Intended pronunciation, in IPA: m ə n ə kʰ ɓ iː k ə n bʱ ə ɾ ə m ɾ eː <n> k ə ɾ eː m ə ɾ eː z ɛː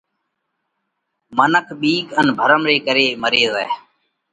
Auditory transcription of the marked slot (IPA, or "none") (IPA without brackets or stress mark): none